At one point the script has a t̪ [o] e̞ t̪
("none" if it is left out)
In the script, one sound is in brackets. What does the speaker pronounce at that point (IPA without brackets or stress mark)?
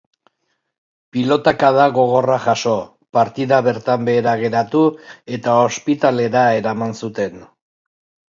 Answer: u